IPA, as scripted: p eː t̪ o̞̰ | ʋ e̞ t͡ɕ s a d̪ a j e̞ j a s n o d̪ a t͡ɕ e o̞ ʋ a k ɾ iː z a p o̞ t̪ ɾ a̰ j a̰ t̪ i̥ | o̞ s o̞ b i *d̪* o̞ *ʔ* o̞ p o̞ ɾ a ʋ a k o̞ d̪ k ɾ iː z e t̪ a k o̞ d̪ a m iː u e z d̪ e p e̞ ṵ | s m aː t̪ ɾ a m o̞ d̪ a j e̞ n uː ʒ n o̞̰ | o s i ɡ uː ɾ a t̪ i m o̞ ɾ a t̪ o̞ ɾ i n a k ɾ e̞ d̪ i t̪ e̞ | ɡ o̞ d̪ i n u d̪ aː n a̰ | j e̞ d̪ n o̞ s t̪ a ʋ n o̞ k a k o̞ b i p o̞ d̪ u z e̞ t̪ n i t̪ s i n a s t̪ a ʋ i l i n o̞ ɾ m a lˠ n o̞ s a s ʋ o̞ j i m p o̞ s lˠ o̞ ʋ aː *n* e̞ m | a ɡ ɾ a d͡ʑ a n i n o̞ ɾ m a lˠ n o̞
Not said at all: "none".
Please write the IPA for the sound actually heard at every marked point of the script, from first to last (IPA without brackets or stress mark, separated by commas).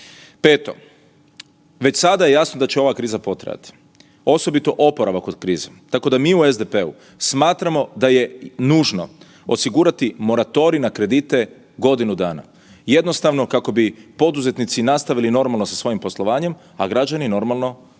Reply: t̪, ʔ, ɲ